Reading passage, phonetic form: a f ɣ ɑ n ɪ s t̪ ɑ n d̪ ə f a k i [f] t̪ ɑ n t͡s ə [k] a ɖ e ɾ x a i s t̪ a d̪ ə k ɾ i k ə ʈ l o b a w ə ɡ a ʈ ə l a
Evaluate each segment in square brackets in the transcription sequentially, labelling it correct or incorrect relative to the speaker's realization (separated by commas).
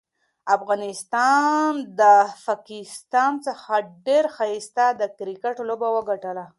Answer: incorrect, incorrect